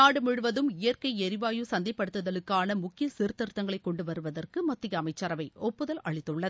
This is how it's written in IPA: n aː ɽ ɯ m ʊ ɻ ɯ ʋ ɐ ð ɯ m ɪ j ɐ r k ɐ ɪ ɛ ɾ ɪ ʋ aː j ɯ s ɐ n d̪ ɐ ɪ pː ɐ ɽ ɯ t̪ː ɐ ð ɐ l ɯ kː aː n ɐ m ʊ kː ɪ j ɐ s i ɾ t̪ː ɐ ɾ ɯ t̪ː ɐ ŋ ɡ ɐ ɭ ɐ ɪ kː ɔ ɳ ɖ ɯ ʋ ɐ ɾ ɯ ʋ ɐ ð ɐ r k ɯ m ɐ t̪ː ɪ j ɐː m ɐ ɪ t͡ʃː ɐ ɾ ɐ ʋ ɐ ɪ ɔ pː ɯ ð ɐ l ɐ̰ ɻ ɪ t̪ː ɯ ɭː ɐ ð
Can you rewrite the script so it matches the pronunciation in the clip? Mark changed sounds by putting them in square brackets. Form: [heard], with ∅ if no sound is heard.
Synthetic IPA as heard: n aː ɽ ɯ m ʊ ɻ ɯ ʋ ɐ ð ɯ m ɪ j ɐ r k ɐ ɪ ɛ ɾ ɪ ʋ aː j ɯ s ɐ n d̪ ɐ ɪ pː ɐ ɽ ɯ t̪ː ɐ ð ɐ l ɯ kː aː n ɐ m ʊ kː ɪ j ɐ s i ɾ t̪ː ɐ ɾ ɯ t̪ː ɐ ŋ ɡ ɐ ɭ ɐ ɪ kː ɔ ɳ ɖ ɯ ʋ ɐ ɾ ɯ ʋ ɐ ð ɐ r k ɯ m ɐ t̪ː ɪ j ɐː m ɐ ɪ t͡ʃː ɐ ɾ ɐ ʋ ɐ ɪ ɔ pː ɯ ð ɐ l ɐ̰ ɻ ɪ t̪ː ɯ ɭː ɐ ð